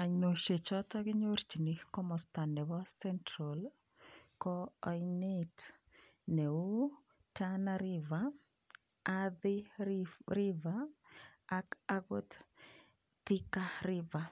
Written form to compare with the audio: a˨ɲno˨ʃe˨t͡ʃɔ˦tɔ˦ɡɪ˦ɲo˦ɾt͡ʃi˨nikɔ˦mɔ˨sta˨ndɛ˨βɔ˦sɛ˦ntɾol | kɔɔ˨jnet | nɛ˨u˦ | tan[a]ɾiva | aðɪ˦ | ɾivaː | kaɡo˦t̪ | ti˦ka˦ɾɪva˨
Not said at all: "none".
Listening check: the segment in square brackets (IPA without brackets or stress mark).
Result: a